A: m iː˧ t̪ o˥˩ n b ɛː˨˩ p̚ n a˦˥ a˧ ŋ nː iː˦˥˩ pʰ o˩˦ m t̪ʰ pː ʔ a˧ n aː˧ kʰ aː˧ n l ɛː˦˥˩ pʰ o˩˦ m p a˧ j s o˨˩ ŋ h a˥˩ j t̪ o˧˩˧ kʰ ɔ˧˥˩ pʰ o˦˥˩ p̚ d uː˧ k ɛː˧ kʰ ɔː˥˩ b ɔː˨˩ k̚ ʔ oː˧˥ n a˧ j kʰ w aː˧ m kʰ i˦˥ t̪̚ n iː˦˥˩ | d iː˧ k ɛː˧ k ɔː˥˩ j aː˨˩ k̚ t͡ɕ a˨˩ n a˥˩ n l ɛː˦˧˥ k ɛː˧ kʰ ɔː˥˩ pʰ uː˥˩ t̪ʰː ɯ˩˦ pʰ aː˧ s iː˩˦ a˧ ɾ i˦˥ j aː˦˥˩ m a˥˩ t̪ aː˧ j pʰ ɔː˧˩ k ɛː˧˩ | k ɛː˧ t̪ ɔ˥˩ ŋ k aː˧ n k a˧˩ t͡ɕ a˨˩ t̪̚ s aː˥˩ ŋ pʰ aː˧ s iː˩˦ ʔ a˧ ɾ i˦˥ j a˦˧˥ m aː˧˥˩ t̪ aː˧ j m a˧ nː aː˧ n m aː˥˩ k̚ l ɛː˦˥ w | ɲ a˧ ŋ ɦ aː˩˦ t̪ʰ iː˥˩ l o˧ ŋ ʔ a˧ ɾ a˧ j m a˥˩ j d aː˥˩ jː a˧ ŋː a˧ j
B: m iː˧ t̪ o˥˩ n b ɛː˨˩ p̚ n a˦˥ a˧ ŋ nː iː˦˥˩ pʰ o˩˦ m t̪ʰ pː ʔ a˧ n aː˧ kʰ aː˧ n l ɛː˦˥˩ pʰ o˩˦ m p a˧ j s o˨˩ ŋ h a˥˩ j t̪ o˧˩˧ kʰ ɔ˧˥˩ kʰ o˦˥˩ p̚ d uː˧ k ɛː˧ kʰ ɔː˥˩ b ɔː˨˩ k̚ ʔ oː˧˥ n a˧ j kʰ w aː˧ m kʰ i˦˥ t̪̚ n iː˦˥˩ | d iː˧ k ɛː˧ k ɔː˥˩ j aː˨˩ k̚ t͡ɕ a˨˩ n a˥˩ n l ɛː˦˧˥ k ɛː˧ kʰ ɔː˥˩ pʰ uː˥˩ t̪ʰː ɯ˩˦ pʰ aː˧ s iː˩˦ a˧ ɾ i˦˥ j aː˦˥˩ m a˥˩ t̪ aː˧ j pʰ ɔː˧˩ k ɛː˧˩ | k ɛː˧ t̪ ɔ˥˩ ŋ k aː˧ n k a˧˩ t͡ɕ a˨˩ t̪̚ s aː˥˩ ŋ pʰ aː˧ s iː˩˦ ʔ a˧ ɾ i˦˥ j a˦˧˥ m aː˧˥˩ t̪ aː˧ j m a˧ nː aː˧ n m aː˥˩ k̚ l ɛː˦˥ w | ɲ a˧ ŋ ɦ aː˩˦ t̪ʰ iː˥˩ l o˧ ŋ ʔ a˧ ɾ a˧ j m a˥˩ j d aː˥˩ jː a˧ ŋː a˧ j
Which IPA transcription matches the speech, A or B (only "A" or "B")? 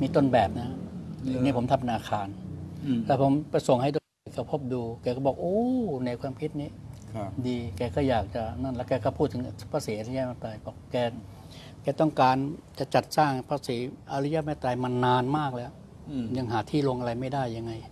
A